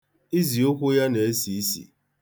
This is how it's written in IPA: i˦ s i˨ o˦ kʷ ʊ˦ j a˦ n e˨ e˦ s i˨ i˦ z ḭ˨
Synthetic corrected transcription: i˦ z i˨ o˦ kʷ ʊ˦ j a˦ n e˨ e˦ s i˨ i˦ s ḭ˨